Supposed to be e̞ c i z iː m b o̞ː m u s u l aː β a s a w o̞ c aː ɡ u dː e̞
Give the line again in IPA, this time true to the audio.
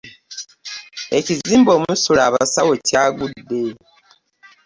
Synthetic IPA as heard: e̞ c i z iː m b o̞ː m u s u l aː β a s a w o̞ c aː ɡ u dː e̞